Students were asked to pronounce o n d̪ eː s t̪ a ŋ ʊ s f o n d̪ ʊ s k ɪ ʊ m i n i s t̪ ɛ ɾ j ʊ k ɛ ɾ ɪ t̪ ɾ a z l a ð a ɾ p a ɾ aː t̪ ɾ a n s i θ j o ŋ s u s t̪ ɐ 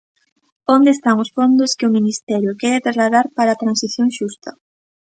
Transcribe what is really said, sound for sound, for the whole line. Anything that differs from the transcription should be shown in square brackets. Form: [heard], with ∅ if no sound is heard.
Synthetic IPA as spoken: o n d̪ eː s t̪ a ŋ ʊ s f o n d̪ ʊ s k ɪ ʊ m i n i s t̪ ɛ ɾ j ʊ k ɛ ɾ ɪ t̪ ɾ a z l a ð a ɾ p a ɾ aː t̪ ɾ a n s i θ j o ŋ [ʃ] u s t̪ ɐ